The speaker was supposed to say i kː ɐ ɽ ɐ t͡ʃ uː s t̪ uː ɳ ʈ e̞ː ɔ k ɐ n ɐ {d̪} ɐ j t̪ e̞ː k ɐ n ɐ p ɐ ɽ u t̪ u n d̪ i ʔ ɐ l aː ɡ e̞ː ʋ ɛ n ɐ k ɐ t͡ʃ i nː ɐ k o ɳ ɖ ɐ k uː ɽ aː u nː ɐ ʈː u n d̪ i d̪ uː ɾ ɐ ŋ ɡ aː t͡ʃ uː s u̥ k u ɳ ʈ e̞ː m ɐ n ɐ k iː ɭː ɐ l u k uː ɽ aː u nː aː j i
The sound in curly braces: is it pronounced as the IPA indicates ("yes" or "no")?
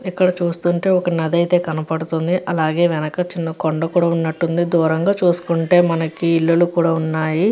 yes